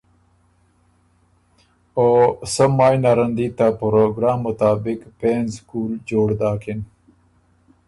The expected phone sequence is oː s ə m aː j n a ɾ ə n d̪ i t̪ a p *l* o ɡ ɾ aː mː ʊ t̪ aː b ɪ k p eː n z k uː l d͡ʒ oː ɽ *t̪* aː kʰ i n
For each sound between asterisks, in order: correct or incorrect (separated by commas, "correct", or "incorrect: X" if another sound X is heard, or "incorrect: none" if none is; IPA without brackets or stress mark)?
incorrect: ɾ, incorrect: d̪